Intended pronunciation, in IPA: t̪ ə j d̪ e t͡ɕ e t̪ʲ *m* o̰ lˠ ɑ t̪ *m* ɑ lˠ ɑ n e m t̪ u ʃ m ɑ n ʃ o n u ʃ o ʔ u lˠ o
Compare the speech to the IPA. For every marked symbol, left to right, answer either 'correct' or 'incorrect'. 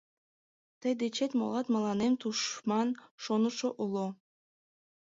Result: correct, correct

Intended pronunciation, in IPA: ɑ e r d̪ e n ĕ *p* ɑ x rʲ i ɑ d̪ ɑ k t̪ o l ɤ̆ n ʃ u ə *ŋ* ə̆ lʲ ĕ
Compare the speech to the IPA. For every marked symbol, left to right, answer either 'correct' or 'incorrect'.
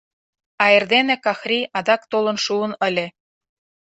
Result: incorrect, incorrect

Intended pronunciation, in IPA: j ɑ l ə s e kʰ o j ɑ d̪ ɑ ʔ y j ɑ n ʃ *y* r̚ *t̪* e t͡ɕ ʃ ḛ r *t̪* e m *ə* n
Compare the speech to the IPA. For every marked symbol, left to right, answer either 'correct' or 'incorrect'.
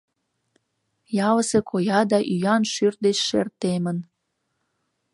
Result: correct, incorrect, correct, correct

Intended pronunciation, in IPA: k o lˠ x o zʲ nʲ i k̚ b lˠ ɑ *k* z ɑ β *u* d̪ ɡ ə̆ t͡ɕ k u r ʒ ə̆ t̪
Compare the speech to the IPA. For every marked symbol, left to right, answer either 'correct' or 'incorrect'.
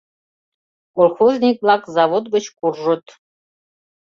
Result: correct, incorrect

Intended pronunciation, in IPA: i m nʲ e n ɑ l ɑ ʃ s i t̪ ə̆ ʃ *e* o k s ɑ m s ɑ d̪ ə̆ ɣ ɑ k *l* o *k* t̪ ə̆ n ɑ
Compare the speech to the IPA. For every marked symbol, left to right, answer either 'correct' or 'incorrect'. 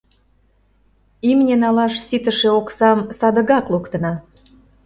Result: correct, correct, correct

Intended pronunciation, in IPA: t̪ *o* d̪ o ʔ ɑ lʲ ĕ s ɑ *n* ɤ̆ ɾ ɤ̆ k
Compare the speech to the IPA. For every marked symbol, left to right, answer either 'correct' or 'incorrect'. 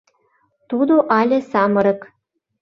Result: incorrect, incorrect

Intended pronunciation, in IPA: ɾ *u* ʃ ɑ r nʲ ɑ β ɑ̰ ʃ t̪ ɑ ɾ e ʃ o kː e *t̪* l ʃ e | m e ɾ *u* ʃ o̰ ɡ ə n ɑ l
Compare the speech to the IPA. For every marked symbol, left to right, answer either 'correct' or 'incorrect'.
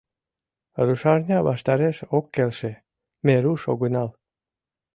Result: correct, incorrect, correct

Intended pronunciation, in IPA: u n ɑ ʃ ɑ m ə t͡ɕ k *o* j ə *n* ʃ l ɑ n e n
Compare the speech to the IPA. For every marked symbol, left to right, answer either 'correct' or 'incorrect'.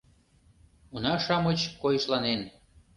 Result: correct, incorrect

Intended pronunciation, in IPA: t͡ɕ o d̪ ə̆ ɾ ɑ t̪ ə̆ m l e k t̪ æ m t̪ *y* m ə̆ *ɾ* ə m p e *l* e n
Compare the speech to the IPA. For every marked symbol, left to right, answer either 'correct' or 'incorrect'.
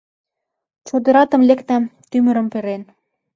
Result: correct, correct, incorrect

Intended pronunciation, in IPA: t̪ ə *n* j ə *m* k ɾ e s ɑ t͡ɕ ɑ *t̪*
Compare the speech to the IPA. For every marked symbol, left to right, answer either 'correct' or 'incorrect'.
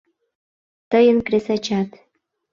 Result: incorrect, incorrect, correct

